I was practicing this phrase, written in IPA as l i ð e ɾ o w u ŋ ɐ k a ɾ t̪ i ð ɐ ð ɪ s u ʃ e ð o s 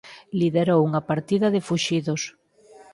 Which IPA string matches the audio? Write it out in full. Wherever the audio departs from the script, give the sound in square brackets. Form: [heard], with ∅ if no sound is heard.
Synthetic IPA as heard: l i ð e ɾ o w u ŋ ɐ [p] a ɾ t̪ i ð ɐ ð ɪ [f] u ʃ [i] ð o s